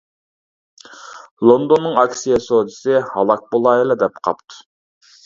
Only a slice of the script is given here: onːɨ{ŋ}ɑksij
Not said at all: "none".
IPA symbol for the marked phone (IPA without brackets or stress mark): ŋ